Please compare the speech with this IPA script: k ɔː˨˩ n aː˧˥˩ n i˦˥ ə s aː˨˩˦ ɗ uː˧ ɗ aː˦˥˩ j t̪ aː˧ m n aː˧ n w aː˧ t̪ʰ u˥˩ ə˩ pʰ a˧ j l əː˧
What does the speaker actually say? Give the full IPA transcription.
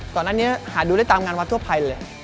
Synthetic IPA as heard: k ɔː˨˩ n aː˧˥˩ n i˦˥ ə h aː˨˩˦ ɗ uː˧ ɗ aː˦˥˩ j t̪ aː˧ m ŋ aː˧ n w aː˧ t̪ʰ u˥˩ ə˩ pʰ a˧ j l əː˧

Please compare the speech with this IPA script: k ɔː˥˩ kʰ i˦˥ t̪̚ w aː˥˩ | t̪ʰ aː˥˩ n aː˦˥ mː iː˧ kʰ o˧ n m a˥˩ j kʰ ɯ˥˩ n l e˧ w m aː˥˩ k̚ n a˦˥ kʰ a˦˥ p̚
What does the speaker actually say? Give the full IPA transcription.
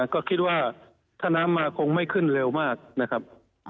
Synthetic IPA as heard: k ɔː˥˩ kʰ i˦˥ t̪̚ w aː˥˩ | t̪ʰ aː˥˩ n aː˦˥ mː aː˧ kʰ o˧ ŋ m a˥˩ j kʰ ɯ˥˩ n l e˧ w m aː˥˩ k̚ n a˦˥ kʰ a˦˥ p̚

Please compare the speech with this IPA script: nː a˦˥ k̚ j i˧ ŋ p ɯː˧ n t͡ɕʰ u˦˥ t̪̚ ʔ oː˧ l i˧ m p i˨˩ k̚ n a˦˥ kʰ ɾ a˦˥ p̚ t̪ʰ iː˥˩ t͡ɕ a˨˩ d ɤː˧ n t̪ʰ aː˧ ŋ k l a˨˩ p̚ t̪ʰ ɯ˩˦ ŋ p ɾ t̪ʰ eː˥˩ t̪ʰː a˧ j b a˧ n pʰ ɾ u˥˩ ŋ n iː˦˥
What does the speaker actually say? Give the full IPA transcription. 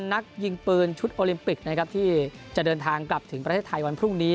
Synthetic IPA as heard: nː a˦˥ k̚ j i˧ ŋ p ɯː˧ n t͡ɕʰ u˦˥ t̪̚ ʔ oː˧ l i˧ m p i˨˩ k̚ n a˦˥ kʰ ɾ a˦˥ p̚ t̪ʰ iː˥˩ t͡ɕ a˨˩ d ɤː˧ n t̪ʰ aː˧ ŋ k l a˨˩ p̚ t̪ʰ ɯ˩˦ ŋ p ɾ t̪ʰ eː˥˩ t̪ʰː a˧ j w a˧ n pʰ ɾ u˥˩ ŋ n iː˦˥

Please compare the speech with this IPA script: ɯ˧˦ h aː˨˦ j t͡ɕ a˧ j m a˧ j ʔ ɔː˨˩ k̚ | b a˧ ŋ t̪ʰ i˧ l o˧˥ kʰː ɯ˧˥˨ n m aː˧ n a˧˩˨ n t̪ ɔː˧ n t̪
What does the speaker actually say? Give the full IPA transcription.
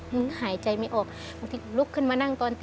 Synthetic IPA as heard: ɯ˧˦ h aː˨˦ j t͡ɕ a˧ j m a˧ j ʔ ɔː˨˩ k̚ | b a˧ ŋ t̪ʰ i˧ l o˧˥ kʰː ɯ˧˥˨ n m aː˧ n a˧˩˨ ŋ t̪ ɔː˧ n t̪

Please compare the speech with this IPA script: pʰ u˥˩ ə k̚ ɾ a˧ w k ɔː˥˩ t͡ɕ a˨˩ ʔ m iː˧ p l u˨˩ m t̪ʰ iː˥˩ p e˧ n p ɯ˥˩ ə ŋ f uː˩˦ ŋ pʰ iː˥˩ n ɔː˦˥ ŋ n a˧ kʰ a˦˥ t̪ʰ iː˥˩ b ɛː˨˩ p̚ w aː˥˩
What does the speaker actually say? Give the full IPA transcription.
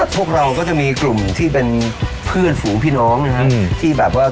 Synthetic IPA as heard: pʰ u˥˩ ə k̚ ɾ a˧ w k ɔː˥˩ t͡ɕ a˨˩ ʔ m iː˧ k l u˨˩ m t̪ʰ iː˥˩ p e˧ n pʰ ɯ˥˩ ə n f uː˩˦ ŋ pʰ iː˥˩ n ɔː˦˥ ŋ n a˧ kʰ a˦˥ t̪ʰ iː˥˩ b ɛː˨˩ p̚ w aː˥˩

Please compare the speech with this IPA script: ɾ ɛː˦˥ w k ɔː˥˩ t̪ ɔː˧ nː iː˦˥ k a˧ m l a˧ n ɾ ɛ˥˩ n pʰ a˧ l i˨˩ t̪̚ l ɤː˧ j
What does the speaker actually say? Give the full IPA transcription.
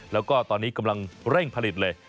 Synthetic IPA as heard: l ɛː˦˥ w k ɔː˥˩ t̪ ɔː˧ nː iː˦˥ k a˧ m l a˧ ŋ ɾ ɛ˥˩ ŋ pʰ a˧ l i˨˩ t̪̚ l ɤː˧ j

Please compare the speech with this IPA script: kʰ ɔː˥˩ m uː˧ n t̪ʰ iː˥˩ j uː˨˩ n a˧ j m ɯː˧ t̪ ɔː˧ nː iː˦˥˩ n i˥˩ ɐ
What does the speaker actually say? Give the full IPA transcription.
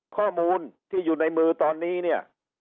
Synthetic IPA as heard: kʰ ɔː˥˩ m uː˧ n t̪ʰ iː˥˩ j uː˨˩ n a˧ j m ɯː˧ t̪ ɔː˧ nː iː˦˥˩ n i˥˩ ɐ

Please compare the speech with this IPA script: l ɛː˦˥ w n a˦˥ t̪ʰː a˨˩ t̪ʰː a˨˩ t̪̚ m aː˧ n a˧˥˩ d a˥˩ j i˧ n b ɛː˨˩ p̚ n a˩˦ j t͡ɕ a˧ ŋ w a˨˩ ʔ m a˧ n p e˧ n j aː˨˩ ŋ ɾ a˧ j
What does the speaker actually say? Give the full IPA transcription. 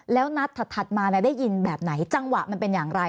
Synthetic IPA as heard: l ɛː˦˥ w n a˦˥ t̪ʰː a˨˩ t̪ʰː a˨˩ t̪̚ m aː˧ n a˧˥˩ d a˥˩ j i˧ n b ɛː˨˩ p̚ n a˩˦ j t͡ɕ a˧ ŋ w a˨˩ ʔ m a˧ n p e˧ n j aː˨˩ ŋ ɾ a˧ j

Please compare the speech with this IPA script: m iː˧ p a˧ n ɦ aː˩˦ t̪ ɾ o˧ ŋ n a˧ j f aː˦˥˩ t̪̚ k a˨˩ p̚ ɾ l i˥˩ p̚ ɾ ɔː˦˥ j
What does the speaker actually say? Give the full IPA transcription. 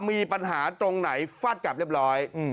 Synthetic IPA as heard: m iː˧ p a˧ n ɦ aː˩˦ t̪ ɾ o˧ ŋ n a˩˦ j f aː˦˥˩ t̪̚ k a˨˩ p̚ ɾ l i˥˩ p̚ ɾ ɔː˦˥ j

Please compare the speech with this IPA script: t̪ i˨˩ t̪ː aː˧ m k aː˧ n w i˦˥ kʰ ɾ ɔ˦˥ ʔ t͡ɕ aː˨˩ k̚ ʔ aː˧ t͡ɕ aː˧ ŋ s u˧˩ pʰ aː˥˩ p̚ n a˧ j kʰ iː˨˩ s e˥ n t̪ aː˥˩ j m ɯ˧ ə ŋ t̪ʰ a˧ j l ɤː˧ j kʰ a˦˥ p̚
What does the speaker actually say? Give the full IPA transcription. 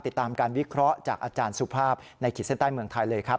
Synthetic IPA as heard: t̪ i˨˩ t̪ː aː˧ m k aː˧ n w i˦˥ kʰ ɾ ɔ˦˥ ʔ t͡ɕ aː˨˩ k̚ ʔ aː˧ t͡ɕ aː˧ n s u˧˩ pʰ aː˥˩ p̚ n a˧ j kʰ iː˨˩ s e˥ n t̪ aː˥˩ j m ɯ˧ ə ŋ t̪ʰ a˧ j l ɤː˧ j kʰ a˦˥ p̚

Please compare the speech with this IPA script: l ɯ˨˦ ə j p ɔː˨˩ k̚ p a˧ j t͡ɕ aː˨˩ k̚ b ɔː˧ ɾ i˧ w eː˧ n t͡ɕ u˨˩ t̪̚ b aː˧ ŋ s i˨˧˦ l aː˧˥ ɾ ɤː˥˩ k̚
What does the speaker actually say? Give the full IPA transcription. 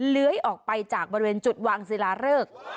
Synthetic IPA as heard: l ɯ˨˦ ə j ʔ ɔː˨˩ k̚ p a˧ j t͡ɕ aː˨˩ k̚ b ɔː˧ ɾ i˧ w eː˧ n t͡ɕ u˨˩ t̪̚ w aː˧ ŋ s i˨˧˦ l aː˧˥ ɾ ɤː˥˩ k̚

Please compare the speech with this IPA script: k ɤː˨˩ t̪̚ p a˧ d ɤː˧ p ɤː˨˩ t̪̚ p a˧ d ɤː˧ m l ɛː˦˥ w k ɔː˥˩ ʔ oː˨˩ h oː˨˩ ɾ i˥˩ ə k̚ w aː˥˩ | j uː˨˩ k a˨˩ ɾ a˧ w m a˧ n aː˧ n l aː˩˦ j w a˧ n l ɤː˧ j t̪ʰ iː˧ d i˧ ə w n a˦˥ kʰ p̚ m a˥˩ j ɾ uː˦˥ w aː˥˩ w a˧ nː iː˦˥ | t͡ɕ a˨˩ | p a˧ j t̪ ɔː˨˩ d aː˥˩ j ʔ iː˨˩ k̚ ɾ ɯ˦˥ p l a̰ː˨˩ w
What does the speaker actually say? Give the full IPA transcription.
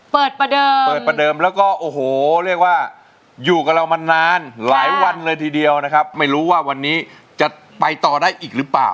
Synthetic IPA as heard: p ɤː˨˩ t̪̚ p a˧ d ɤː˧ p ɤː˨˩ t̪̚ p a˧ d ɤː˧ m l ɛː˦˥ w k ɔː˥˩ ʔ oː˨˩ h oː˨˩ ɾ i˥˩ ə k̚ w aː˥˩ | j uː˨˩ k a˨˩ ɾ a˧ w m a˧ n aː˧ n l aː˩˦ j w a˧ n l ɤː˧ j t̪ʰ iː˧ d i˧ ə w n a˦˥ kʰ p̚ m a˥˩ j ɾ uː˦˥ w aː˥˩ w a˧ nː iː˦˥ | t͡ɕ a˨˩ | p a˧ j t̪ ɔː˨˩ d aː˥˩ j ʔ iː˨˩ k̚ ɾ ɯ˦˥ p l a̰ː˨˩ w

